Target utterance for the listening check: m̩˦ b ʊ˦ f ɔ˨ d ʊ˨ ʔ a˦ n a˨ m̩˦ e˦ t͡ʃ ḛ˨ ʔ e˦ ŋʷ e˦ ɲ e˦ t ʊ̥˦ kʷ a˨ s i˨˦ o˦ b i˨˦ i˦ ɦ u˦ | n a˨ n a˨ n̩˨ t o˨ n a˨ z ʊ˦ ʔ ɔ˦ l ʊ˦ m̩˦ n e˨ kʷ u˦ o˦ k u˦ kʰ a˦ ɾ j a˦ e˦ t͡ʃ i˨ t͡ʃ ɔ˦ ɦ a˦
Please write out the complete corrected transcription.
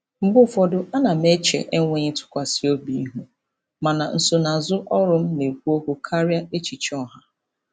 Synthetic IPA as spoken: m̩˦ b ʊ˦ f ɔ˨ d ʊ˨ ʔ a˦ n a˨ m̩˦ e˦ t͡ʃ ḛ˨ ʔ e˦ ŋʷ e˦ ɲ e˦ t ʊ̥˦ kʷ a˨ s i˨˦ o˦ b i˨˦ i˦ ɦ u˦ | m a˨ n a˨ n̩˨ s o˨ n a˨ z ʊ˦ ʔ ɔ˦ ɾ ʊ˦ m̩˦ n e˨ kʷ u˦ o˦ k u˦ kʰ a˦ ɾ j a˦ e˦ t͡ʃ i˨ t͡ʃ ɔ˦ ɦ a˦

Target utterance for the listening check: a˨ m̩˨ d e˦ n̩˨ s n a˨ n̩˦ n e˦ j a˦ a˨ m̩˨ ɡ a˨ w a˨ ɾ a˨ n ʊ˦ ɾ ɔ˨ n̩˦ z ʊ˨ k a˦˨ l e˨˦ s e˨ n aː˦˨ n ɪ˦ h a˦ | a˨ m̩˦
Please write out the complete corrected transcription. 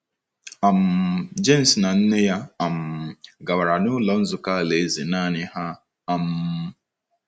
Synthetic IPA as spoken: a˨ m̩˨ d͡ʒ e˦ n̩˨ s n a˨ n̩˦ n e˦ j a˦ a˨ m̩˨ ɡ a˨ w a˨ ɾ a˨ n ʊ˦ l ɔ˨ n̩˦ z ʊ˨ k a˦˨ l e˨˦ z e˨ n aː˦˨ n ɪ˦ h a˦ | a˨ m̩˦

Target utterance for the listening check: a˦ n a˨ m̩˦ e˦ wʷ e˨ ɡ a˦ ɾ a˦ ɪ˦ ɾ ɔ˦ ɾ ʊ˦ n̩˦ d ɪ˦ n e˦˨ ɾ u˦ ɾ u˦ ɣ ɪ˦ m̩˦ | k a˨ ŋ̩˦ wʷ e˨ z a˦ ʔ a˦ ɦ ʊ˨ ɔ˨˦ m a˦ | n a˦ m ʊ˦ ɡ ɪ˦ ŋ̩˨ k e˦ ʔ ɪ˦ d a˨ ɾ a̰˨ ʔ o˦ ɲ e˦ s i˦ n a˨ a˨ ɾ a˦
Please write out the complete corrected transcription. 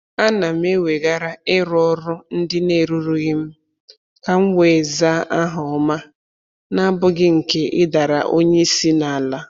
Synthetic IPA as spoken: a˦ n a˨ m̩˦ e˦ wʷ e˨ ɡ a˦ ɾ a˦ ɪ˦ ɾ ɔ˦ ɾ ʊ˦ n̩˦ d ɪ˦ n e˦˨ ɾ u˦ ɾ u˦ ɣ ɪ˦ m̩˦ | k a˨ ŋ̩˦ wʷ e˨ z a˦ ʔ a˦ ɦ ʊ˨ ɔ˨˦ m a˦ | n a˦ b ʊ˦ ɡ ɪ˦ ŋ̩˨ k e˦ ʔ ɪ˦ d a˨ ɾ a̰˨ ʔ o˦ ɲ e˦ s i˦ n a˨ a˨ l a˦

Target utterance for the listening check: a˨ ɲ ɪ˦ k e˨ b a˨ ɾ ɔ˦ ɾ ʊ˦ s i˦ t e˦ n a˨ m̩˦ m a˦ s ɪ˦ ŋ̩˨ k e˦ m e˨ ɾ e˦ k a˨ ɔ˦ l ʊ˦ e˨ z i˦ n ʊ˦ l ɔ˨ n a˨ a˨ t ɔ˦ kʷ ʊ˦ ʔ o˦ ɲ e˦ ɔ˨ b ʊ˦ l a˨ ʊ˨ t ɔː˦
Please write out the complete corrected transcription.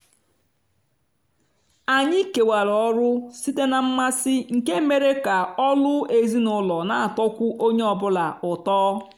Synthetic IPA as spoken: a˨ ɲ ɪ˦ k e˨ w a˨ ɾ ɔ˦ ɾ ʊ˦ s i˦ t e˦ n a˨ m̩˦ m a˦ s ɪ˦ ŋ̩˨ k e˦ m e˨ ɾ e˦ k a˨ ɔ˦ l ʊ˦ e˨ z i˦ n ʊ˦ l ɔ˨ n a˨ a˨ t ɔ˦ kʷ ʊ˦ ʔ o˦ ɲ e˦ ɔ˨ b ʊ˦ l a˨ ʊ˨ t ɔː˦

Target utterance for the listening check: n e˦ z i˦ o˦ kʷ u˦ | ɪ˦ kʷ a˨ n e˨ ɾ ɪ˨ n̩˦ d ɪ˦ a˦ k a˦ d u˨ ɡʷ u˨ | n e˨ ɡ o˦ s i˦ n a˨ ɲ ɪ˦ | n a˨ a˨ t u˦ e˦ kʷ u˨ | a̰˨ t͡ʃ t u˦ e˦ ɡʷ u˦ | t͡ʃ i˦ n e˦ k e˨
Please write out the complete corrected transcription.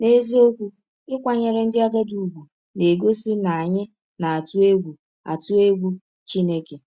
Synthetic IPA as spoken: n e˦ z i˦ o˦ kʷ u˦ | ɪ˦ kʷ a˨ ɲ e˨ ɾ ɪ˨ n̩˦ d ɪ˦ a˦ ɡ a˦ d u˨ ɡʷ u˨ | n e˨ ɡ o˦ s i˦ n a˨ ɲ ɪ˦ | n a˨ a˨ t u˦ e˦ ɡʷ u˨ | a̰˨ t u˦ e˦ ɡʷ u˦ | t͡ʃ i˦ n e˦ k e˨

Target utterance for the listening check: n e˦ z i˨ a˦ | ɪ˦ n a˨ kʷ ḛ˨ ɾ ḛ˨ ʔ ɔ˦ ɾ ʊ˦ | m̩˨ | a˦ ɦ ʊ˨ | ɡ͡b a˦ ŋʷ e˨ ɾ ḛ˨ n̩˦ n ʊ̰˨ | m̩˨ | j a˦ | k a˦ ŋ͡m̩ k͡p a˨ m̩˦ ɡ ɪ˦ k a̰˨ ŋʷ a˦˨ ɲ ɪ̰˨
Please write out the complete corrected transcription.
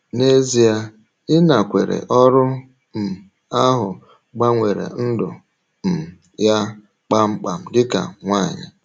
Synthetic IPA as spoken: n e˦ z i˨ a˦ | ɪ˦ n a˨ kʷ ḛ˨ ɾ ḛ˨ ʔ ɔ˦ ɾ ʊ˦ | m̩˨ | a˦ ɦ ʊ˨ | ɡ͡b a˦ ŋʷ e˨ ɾ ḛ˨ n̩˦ d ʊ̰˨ | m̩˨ | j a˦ | k͡p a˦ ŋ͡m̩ k͡p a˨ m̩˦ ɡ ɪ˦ k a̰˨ ŋʷ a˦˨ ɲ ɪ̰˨

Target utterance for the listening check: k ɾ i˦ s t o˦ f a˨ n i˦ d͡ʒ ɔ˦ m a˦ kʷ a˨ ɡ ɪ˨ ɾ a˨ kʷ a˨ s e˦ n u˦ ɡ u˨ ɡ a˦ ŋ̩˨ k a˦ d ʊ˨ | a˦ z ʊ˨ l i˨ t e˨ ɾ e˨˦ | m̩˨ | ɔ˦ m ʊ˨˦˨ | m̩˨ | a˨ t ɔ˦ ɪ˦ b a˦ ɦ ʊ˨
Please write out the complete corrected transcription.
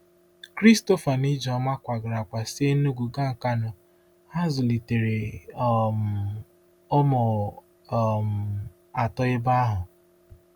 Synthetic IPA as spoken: k ɾ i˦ s t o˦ f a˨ n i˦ d͡ʒ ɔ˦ m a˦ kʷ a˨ ɡ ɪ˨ ɾ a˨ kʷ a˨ s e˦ n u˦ ɡ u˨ ɡ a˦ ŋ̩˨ k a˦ n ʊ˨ | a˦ z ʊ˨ l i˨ t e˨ ɾ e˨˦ | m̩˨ | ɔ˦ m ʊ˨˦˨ | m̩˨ | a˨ t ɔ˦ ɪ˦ b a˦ ɦ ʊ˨

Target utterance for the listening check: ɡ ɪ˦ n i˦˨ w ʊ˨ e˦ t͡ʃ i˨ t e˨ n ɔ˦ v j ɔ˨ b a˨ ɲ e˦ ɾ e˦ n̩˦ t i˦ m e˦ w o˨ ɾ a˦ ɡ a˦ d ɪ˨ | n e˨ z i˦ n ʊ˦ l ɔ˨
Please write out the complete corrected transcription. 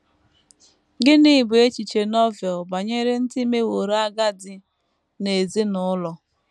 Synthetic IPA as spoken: ɡ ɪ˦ n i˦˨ b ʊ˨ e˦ t͡ʃ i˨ t͡ʃ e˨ n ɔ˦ v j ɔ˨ b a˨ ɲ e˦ ɾ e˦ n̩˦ t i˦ m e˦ w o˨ ɾ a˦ ɡ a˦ d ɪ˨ | n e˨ z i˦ n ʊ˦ l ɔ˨

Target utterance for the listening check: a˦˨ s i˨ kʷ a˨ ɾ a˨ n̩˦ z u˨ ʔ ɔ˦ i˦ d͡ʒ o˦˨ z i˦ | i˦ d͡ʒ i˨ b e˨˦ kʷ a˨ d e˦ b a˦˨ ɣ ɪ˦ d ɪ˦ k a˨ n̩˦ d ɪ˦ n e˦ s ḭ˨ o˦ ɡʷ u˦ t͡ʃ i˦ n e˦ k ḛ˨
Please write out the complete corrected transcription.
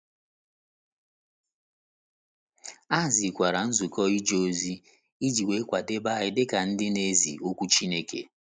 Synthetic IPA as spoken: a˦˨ z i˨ kʷ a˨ ɾ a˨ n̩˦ z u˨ k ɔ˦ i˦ d͡ʒ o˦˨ z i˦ | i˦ d͡ʒ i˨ w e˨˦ kʷ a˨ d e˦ b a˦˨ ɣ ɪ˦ d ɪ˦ k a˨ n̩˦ d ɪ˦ n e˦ z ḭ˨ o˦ kʷ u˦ t͡ʃ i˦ n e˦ k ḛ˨

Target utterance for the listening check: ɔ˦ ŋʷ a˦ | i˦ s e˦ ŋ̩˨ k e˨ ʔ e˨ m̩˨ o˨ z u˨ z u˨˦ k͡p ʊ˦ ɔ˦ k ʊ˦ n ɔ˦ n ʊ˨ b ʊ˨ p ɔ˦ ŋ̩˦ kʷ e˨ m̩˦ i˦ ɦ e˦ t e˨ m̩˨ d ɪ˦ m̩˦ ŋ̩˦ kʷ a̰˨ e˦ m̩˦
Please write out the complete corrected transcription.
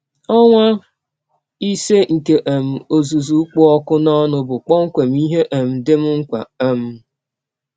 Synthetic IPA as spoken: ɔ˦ ŋʷ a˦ | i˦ s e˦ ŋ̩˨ k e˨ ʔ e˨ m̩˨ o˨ z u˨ z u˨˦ k͡p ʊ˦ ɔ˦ k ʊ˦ n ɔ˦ n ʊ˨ b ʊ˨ k͡p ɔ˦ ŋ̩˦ kʷ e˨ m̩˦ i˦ ɦ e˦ ʔ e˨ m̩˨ d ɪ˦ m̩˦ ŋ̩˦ kʷ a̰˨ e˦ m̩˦

